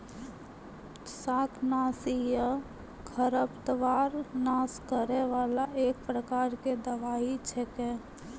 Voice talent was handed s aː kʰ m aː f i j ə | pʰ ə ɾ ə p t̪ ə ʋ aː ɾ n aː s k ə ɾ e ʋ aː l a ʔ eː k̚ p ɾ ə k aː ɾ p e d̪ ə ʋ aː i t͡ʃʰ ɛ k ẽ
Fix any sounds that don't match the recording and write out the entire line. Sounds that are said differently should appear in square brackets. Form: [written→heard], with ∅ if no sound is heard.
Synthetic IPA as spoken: s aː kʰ [m→n] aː [f→s] i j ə | [pʰ→kʰ] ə ɾ ə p t̪ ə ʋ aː ɾ n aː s k ə ɾ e ʋ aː l a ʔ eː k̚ p ɾ ə k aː ɾ [p→k] e d̪ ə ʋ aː i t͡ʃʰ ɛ k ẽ